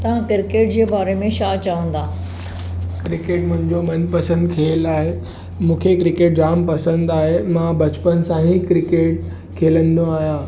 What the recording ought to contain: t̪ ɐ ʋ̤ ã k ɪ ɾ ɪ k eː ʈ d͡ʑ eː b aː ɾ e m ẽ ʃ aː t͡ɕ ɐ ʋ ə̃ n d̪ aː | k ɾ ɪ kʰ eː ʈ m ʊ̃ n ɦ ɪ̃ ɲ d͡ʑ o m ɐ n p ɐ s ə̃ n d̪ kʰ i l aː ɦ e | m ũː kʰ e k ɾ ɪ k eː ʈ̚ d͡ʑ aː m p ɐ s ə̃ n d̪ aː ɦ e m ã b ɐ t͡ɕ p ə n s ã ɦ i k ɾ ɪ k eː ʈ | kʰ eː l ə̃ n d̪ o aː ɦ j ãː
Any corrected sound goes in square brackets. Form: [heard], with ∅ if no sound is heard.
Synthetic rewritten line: t̪ ɐ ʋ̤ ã k ɪ ɾ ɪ k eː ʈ d͡ʑ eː b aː ɾ e m ẽ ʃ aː t͡ɕ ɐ ʋ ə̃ n d̪ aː | k ɾ ɪ [k] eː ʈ m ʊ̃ [∅] ɦ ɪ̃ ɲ d͡ʑ o m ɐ n p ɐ s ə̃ n d̪ kʰ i l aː ɦ e | m ũː kʰ e k ɾ ɪ k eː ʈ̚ d͡ʑ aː m p ɐ s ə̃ n d̪ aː ɦ e m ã b ɐ t͡ɕ p ə n s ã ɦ i k ɾ ɪ k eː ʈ | kʰ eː l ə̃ n d̪ o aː ɦ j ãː